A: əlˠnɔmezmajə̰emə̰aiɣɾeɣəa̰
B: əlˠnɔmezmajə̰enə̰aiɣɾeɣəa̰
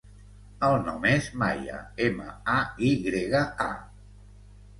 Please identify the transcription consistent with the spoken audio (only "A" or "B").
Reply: A